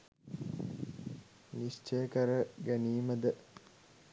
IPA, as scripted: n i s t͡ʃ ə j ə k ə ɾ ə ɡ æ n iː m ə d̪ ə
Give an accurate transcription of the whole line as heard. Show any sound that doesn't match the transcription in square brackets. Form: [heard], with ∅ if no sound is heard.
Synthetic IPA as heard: n i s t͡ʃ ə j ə k ə ɾ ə ɡ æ n iː m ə d̪ ə